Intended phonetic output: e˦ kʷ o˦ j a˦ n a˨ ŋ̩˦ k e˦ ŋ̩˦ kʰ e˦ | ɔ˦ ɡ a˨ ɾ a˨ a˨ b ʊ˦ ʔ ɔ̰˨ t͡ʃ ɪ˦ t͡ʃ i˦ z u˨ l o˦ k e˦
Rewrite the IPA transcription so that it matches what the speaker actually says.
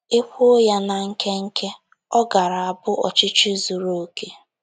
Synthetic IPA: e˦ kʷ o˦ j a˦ n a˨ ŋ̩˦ k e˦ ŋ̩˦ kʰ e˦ | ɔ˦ ɡ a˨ ɾ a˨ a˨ b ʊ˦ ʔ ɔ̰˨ t͡ʃ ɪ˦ t͡ʃ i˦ z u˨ ɾ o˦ k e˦